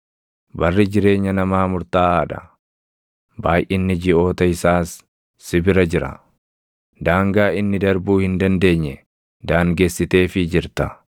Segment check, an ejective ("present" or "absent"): absent